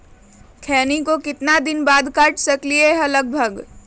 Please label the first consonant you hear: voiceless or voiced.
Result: voiceless